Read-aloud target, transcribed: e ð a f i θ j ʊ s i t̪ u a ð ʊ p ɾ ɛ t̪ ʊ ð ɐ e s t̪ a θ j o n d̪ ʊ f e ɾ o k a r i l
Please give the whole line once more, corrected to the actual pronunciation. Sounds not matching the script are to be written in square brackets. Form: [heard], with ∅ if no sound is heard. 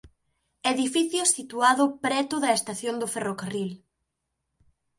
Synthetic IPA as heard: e ð [i] f i θ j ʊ s i t̪ u a ð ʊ p ɾ ɛ t̪ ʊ ð ɐ e s t̪ a θ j o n d̪ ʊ f e [r] o k a r i l

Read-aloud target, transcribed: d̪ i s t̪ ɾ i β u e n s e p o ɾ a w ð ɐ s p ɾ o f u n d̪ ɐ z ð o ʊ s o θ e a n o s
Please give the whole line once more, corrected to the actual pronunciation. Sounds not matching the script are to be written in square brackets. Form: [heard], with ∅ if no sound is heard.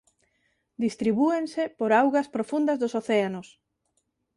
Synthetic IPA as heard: d̪ i s t̪ ɾ i β u e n s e p o ɾ a w [ɣ] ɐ s p ɾ o f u n d̪ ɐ z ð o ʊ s o θ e a n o s

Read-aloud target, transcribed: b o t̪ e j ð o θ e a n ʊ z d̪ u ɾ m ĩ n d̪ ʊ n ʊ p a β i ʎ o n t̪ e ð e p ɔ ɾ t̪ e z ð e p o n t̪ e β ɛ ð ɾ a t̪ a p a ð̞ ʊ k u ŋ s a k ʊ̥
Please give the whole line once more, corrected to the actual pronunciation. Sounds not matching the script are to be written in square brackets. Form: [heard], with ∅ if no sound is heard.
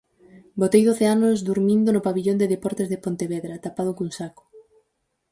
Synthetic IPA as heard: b o t̪ e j ð o θ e a n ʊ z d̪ u ɾ m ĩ n d̪ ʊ n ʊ p a β i ʎ o n [d̪] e ð e p ɔ ɾ t̪ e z ð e p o n t̪ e β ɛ ð ɾ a t̪ a p a ð̞ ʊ k u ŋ s a k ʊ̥

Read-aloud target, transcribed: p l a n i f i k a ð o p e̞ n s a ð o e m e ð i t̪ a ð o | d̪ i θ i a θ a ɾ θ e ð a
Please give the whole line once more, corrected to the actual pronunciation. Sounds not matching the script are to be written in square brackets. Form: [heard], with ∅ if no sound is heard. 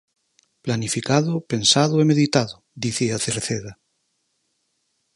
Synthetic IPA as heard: p l a n i f i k a ð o p e̞ n s a ð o e m e ð i t̪ a ð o | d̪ i θ i a θ [e] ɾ θ e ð a

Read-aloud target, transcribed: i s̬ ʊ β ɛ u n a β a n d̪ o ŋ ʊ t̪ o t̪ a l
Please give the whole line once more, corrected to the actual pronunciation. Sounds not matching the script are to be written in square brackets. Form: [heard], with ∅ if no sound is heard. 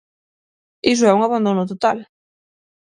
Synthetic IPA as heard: i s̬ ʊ [∅] ɛ u [ŋ] a β a n d̪ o [n] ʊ t̪ o t̪ a l

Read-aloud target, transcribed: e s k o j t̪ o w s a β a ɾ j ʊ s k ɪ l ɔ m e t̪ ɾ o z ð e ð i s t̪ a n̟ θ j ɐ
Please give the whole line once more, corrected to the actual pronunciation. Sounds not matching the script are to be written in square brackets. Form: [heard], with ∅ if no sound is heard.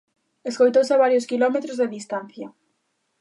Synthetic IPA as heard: e s k o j t̪ o w s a β a ɾ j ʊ s k [i] l ɔ m e t̪ ɾ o z ð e ð i s t̪ a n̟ θ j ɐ

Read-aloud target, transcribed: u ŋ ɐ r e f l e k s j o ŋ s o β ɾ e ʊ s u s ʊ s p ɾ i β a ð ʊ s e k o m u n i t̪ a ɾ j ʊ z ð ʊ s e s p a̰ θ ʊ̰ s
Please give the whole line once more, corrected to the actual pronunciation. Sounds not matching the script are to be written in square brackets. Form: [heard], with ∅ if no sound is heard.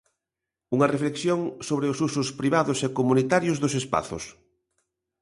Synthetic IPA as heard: u ŋ ɐ r e f l e k s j o ŋ s o β ɾ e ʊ s u s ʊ s p ɾ i β a ð ʊ s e k o m u n i t̪ a ɾ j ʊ z ð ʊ s e s p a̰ θ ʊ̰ s

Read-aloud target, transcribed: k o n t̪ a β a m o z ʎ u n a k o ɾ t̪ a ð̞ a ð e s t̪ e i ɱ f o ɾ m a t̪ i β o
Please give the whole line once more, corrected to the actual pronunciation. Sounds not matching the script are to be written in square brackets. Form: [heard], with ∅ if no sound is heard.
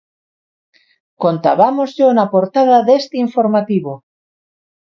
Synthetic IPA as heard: k o n t̪ a β a m o z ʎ [o] n a [p] o ɾ t̪ a ð̞ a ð e s t̪ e i ɱ f o ɾ m a t̪ i β o

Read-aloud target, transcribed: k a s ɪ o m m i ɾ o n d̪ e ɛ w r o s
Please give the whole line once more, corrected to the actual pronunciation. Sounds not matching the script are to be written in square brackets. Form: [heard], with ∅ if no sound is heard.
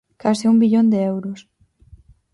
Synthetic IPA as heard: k a s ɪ [u] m [b] i [ʎ] o n d̪ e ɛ w [ɾ] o s

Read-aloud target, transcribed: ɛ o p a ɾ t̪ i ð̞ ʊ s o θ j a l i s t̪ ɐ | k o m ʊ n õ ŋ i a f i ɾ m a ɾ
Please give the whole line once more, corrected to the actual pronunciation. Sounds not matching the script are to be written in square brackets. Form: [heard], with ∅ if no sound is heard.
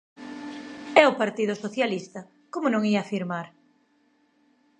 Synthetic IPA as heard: ɛ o p a ɾ t̪ i ð̞ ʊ s o θ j a l i s t̪ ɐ | k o m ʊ n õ ŋ i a f i ɾ m a ɾ

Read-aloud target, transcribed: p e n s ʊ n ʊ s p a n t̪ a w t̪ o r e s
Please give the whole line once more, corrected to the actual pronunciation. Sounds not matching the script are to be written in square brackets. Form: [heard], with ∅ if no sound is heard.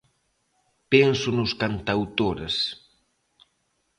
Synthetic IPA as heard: p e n s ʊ n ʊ s [k] a n t̪ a w t̪ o [ɾ] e s

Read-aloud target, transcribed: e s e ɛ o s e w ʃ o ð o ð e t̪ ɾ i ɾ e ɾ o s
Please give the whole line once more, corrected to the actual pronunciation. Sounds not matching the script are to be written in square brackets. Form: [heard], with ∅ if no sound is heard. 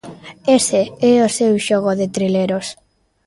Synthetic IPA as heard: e s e ɛ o s e w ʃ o [ɣ] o ð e t̪ ɾ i [l] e ɾ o s

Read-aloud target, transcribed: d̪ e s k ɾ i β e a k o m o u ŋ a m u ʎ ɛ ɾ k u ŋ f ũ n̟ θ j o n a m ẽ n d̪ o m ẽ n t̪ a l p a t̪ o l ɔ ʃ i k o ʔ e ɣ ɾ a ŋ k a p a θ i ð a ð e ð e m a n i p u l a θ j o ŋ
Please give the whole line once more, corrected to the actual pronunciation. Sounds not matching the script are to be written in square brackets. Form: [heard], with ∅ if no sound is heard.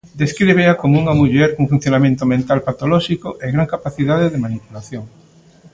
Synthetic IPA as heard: d̪ e s k ɾ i β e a k o m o u ŋ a m u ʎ ɛ ɾ k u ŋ f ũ n̟ θ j o n a m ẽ n [t̪] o m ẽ n t̪ a l p a t̪ o l ɔ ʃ i k o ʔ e ɣ ɾ a ŋ k a p a θ i ð a ð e ð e m a n i p u l a θ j o ŋ

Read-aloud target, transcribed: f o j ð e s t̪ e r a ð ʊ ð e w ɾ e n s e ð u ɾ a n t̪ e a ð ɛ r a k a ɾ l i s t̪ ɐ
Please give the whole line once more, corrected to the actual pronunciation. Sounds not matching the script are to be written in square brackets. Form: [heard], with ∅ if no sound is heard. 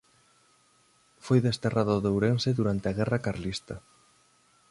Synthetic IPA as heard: f o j ð e s t̪ e r a ð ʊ ð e w ɾ e n s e ð u ɾ a n t̪ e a [ɣ] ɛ r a k a ɾ l i s t̪ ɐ

